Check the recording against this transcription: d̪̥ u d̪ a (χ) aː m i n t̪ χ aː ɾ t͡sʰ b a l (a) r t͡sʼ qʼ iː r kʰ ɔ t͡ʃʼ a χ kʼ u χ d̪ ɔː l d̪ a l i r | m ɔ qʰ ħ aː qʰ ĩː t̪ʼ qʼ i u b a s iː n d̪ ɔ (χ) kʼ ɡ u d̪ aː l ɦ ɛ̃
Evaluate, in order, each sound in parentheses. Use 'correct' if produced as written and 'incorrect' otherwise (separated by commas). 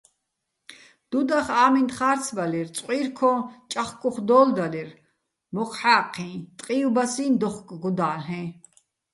correct, incorrect, correct